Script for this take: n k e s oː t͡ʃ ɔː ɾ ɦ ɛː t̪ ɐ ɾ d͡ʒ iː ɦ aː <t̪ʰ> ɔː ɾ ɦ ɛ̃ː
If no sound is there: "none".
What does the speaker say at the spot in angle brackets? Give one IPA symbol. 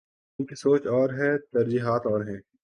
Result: t̪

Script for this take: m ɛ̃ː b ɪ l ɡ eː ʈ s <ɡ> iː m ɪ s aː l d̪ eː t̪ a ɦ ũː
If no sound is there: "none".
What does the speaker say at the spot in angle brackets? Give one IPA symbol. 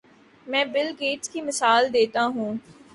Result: k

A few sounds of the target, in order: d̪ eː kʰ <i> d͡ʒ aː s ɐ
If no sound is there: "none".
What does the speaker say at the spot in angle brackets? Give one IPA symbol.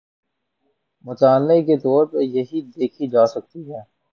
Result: i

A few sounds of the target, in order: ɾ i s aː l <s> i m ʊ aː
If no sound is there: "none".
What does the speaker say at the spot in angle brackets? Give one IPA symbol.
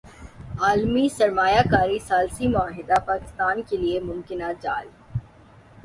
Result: s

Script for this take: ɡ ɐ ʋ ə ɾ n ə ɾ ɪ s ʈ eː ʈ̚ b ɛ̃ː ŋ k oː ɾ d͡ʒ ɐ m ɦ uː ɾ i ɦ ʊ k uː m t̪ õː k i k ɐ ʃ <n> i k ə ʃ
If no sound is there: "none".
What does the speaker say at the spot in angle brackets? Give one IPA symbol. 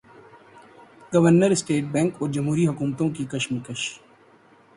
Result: m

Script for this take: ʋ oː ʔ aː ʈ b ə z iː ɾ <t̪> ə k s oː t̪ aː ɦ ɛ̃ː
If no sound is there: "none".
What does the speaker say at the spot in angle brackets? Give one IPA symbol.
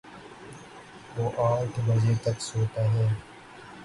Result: t̪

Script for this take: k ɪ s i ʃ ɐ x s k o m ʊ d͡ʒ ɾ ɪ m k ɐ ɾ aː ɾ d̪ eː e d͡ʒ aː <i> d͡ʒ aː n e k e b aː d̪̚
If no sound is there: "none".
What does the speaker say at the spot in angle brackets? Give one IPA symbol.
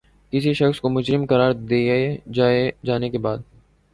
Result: e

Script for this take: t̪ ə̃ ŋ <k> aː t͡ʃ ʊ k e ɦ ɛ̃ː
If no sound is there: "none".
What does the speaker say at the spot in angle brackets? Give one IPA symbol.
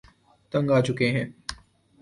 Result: ɡ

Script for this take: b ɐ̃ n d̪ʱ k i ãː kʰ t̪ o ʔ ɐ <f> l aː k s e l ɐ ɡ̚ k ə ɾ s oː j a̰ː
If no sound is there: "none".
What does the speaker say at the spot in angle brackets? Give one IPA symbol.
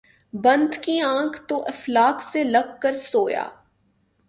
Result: f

